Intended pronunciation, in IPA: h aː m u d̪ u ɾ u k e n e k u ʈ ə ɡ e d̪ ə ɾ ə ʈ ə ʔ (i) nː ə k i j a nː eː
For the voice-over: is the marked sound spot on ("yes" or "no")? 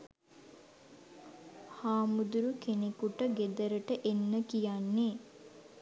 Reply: no